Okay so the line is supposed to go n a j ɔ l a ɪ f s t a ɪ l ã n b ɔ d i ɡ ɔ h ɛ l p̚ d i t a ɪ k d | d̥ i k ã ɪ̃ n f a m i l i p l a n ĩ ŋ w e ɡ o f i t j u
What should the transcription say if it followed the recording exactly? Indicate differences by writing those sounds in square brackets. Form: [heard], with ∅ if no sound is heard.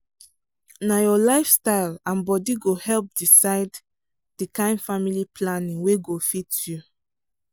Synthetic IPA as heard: n a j ɔ l a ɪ f s t a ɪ l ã n b ɔ d i ɡ [o] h ɛ l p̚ d i [s] a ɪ [∅] d | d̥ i k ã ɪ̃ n f a m i l i p l a n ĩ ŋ w e ɡ o f i t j u